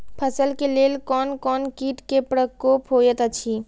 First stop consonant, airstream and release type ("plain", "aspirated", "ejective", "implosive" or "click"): aspirated